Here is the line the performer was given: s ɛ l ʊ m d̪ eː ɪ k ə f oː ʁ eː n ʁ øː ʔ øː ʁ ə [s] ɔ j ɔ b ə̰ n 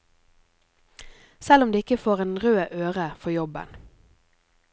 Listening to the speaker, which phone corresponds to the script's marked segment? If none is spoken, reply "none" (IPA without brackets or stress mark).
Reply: f